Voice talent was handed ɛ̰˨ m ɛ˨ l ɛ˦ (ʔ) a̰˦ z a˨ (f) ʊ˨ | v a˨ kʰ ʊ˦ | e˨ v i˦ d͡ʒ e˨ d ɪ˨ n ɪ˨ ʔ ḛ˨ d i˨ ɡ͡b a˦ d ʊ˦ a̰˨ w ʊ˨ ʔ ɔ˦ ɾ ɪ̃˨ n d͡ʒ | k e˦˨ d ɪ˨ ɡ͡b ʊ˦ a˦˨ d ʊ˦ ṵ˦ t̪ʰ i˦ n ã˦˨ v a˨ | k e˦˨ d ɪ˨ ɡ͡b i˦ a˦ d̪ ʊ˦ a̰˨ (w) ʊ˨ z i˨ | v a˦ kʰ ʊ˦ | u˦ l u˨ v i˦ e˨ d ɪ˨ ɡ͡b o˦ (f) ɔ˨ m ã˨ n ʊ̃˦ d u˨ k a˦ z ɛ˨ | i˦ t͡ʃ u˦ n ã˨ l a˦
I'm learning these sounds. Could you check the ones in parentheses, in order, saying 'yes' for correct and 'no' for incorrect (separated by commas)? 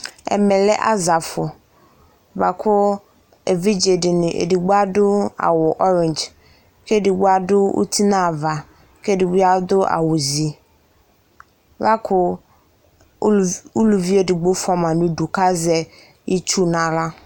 yes, yes, yes, yes